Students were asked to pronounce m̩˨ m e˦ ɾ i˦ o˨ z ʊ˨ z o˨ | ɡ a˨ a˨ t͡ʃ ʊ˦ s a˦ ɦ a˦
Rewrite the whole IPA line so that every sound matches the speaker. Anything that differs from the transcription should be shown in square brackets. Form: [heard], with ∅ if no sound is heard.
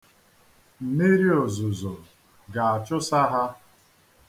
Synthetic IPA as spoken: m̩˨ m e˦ ɾ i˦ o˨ z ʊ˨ z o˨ | ɡ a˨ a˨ t͡ʃ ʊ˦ s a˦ ɦ a˦